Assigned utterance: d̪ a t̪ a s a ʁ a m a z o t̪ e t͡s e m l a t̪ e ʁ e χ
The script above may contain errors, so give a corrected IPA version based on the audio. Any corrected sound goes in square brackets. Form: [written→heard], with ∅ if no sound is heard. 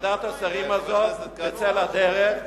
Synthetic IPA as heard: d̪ a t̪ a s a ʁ [a→i] m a z o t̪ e t͡s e [m→∅] l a [t̪→d̪] e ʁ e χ